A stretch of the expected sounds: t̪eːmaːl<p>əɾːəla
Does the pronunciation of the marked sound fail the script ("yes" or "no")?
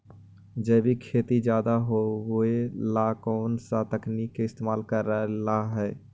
yes